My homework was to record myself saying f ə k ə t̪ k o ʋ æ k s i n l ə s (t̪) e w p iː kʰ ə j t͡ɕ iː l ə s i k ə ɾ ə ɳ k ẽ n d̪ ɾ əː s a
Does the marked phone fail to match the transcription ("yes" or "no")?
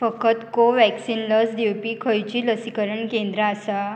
yes